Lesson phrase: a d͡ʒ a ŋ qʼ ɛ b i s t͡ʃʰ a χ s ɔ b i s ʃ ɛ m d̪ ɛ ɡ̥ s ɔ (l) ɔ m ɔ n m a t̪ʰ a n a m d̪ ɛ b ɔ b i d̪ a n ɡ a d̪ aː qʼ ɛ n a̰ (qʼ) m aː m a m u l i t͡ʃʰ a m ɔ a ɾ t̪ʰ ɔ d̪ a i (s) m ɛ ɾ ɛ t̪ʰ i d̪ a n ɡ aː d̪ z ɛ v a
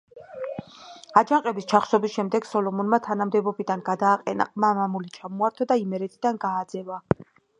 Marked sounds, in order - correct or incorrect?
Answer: correct, correct, incorrect: none

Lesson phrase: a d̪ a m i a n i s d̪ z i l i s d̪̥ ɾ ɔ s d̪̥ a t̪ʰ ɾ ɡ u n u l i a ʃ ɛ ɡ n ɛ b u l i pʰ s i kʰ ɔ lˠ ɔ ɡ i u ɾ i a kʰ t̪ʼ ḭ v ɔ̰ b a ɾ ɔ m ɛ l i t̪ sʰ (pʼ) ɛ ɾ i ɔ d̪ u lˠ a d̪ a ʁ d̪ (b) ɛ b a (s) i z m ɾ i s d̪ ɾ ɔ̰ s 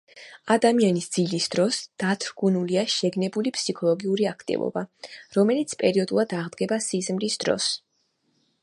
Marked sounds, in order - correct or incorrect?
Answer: correct, incorrect: ɡ, correct

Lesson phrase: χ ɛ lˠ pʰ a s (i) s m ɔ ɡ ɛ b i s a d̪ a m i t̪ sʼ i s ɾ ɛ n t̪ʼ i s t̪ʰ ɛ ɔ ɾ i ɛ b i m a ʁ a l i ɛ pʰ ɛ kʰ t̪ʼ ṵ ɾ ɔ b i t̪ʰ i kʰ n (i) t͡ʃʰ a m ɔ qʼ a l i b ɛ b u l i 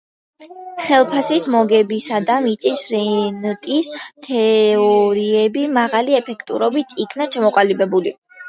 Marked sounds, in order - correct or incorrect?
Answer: correct, incorrect: a

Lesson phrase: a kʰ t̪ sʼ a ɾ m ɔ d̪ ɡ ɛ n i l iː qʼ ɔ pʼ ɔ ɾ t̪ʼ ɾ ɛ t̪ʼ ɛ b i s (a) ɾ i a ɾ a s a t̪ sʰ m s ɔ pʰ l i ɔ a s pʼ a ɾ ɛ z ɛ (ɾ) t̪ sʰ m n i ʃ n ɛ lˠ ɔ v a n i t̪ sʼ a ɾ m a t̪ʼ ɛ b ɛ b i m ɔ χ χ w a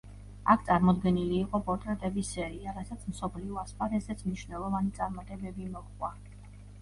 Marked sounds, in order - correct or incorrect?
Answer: incorrect: ɛ, incorrect: none

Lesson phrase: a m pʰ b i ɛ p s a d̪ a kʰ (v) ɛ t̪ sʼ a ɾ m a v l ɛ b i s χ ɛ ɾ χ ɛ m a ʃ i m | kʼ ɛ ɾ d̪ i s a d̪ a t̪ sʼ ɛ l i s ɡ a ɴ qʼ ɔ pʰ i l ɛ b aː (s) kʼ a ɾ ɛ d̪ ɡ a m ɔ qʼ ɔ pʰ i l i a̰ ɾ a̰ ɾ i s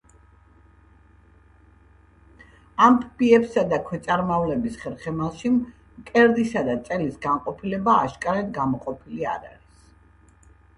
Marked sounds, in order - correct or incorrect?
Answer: incorrect: w, incorrect: ʃ

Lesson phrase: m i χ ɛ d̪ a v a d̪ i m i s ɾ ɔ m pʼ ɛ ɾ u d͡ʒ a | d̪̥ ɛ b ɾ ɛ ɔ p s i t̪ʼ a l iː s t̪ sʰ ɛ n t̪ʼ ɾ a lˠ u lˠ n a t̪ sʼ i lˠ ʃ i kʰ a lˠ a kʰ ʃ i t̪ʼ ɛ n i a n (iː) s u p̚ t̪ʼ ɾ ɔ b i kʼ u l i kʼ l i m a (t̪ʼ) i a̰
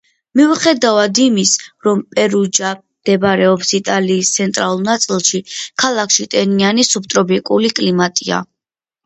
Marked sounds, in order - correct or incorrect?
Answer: incorrect: i, correct

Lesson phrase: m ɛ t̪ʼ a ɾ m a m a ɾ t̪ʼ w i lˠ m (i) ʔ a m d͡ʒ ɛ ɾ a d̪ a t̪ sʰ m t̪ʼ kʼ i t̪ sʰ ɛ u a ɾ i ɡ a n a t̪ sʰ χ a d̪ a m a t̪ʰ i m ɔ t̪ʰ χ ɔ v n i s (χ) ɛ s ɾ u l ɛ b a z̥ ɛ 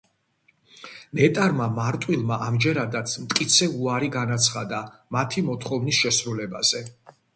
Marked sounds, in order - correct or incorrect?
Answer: incorrect: a, incorrect: ʃ

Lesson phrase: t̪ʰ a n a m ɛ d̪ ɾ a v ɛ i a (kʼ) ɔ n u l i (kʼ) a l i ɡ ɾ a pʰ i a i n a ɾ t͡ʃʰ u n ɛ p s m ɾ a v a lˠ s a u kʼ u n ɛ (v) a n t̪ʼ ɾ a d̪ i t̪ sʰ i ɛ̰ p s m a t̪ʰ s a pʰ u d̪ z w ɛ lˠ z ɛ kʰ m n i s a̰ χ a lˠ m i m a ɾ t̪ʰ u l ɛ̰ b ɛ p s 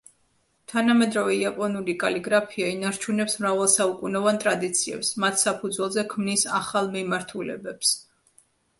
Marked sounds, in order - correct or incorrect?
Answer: incorrect: pʼ, correct, correct

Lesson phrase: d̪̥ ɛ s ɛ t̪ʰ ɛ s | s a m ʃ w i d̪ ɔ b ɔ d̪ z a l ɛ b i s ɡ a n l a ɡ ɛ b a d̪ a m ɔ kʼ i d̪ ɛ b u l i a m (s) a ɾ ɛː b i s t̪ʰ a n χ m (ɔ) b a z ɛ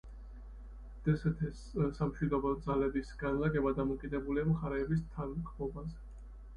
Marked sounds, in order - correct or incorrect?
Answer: incorrect: χ, correct

